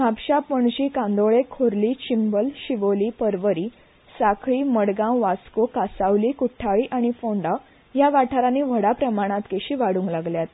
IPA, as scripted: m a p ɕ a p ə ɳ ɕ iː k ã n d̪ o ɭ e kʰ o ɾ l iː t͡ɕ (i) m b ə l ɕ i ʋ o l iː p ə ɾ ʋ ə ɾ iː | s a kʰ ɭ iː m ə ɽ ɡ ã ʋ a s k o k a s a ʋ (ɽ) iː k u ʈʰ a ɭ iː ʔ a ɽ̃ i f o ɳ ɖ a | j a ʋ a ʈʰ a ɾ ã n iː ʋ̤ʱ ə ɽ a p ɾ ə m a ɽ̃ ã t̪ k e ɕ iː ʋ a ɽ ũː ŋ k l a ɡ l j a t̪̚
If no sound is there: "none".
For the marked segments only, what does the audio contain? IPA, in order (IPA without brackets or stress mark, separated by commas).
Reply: i, l